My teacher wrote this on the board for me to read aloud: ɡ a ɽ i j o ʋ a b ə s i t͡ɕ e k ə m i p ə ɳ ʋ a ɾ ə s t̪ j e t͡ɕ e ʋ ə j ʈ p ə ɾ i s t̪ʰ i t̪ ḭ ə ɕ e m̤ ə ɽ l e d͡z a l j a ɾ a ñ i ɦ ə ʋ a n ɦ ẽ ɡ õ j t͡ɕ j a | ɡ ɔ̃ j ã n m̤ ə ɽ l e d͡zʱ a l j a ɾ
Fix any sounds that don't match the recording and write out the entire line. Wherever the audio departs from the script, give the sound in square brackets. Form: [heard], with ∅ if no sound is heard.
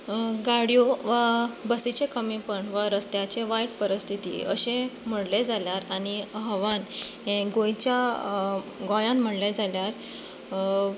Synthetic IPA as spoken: ɡ a ɽ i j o ʋ a b ə s i t͡ɕ e k ə m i p ə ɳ ʋ a ɾ ə s t̪ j [a] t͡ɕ e ʋ [a] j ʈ p ə ɾ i s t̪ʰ i t̪ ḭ ə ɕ e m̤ ə ɽ l e d͡z a l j a ɾ a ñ i ɦ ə ʋ a n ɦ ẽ ɡ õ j t͡ɕ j a | ɡ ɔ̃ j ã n m̤ ə ɽ l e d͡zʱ a l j a ɾ